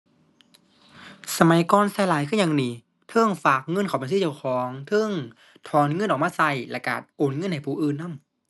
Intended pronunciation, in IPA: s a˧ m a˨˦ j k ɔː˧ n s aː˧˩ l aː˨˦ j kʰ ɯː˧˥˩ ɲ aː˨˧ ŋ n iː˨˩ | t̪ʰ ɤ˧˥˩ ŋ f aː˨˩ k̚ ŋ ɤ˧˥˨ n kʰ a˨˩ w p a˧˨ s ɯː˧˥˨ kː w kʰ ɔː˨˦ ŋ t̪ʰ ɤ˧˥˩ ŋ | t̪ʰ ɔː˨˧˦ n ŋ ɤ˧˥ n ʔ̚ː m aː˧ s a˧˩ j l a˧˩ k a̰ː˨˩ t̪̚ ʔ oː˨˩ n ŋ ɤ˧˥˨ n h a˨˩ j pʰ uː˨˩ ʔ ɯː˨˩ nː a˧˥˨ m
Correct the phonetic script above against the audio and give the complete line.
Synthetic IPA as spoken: s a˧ m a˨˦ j k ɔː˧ n s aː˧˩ l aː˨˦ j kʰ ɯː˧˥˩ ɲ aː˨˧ ŋ n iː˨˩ | t̪ʰ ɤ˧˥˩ ŋ f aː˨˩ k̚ ŋ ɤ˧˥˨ n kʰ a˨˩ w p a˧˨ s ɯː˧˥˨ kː w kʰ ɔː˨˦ ŋ t̪ʰ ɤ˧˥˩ ŋ | t̪ʰ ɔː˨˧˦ n ŋ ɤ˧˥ n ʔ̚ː m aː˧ s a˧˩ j l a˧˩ k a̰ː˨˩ t̪̚ ʔ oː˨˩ n ŋ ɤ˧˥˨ n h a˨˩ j pʰ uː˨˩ ʔ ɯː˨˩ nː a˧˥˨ m